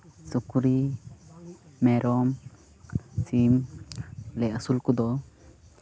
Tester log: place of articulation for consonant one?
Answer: alveolar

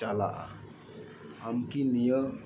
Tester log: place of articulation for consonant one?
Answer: alveolar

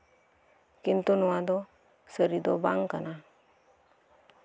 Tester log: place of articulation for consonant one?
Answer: velar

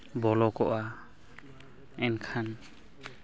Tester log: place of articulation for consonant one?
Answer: labial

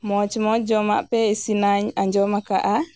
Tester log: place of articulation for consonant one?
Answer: labial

